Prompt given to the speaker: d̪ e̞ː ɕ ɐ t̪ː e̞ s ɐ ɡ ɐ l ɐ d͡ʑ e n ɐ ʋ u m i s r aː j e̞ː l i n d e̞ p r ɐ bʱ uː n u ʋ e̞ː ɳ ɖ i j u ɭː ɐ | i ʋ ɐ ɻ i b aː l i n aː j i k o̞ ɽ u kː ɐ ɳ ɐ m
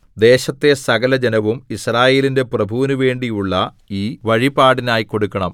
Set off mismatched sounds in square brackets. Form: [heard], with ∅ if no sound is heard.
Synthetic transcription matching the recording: d̪ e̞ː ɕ ɐ t̪ː e̞ s ɐ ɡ ɐ l ɐ d͡ʑ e n ɐ ʋ u m i s r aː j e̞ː l i n d e̞ p r ɐ bʱ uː n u ʋ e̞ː ɳ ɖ i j u ɭː ɐ | [iː] ʋ ɐ ɻ i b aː [ɽ] i n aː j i k o̞ ɽ u kː ɐ ɳ ɐ m